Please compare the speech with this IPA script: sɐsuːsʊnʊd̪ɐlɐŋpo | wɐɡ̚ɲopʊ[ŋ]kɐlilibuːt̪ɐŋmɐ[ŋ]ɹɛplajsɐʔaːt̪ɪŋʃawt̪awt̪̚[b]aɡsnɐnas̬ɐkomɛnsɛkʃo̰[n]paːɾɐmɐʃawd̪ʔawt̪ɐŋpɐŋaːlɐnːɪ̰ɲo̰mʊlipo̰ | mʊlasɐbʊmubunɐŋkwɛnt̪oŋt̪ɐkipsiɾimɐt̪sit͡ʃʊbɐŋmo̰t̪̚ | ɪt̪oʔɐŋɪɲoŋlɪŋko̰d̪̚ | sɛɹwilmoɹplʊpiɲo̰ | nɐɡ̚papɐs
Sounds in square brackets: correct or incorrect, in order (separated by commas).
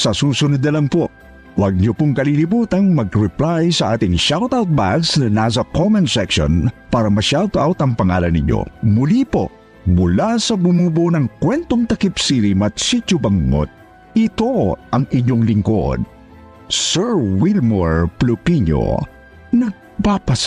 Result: correct, incorrect, correct, correct